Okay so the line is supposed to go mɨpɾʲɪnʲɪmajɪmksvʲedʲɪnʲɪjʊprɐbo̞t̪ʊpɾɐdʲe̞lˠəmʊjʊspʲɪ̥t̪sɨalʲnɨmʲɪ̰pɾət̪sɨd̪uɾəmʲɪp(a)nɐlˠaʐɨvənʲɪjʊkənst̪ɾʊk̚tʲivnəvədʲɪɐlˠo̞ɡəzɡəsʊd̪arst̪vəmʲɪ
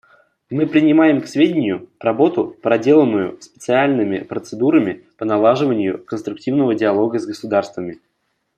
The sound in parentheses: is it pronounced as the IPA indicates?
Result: no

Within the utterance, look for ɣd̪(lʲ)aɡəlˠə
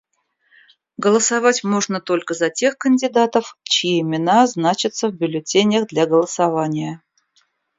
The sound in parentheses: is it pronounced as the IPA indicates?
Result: yes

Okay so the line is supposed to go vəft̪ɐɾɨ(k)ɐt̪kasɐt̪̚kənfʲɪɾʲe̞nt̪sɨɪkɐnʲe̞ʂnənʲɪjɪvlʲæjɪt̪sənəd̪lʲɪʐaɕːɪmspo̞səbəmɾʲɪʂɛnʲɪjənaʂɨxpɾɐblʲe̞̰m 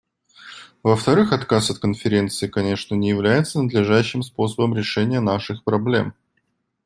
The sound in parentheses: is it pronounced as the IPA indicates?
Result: no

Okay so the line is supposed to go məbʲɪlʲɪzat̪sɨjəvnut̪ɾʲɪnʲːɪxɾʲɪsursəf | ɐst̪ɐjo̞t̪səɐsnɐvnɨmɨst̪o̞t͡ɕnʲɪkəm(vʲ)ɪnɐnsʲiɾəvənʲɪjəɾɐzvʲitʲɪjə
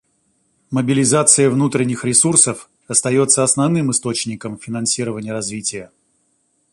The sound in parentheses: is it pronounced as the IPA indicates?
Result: no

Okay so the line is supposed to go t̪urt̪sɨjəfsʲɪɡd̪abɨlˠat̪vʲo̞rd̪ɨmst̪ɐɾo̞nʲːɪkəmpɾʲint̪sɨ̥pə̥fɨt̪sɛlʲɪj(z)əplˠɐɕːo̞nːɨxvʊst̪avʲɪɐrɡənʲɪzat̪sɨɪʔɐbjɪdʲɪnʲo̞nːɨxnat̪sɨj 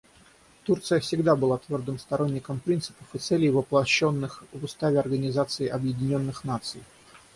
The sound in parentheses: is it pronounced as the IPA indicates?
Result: no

